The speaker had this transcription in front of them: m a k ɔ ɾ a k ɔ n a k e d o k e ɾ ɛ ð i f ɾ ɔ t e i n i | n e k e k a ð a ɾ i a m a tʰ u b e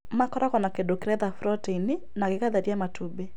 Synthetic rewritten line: m a k ɔ ɾ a k ɔ n a k e d o k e ɾ ɛ ð a f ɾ ɔ t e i n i | n a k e k a ð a ɾ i a m a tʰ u b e